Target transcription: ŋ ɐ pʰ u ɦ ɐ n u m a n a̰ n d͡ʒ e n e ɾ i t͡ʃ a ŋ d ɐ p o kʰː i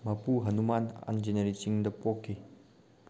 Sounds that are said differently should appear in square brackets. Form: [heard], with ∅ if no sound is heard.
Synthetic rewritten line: [m] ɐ [p] u ɦ ɐ n u m a n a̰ n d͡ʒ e n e ɾ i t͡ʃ [i] ŋ d ɐ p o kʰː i